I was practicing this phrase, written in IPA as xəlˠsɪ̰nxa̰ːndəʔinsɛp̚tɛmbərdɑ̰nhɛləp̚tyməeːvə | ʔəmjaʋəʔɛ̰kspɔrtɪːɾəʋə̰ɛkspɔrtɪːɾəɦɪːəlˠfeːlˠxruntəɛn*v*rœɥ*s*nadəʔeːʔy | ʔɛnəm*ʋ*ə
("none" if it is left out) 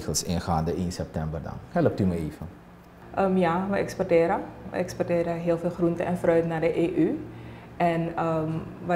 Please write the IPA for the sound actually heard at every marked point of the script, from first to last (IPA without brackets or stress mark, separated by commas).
f, t, ʋ